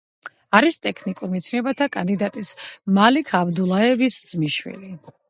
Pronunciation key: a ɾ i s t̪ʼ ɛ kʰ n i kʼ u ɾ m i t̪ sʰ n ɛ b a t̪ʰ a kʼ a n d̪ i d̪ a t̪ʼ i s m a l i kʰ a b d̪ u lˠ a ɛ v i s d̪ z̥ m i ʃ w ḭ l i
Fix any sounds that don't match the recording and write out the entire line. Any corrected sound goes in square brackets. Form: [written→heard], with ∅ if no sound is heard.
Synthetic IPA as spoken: a ɾ i s t̪ʼ ɛ kʰ n i kʼ u ɾ m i t̪ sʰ n ɛ b a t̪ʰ a kʼ a n d̪ i d̪ a t̪ʼ i s m a l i kʰ a b d̪ u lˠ a ɛ v i s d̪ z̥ m i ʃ w ḭ l i